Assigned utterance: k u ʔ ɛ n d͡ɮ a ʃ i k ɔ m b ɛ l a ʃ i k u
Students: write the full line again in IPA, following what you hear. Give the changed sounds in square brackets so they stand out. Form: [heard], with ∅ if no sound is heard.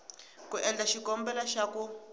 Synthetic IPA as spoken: k u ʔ ɛ n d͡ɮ a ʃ i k ɔ m b ɛ l a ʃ [a] k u

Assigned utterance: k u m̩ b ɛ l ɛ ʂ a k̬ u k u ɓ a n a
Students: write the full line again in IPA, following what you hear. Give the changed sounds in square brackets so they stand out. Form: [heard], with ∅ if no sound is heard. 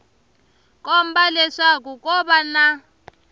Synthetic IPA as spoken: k [ɔ] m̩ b [a] l ɛ ʂ a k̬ u k [ɔ] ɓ a n a

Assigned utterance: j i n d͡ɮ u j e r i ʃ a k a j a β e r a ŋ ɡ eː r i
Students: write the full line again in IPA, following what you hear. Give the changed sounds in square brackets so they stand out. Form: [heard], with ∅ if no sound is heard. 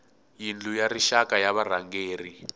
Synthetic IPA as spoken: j i n d͡ɮ u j [a] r i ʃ a k a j a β [a] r a ŋ ɡ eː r i

